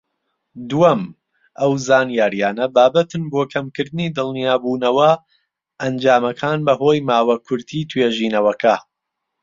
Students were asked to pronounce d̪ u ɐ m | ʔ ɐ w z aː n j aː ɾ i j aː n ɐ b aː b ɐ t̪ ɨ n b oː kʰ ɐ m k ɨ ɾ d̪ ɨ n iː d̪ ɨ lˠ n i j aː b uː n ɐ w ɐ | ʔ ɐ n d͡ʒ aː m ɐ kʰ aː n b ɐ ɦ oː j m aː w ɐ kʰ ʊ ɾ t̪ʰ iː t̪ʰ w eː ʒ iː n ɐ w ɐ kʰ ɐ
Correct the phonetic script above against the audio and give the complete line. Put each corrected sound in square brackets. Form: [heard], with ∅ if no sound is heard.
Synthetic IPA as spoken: d̪ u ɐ m | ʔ ɐ w z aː n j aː ɾ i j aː n ɐ b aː b ɐ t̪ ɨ n b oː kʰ ɐ m k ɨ ɾ d̪ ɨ n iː d̪ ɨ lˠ n i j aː b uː n ɐ w ɐ | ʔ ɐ n d͡ʒ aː m ɐ kʰ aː n b ɐ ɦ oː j m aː w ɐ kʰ ʊ ɾ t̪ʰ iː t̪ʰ w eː ʒ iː n ɐ w ɐ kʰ ɐ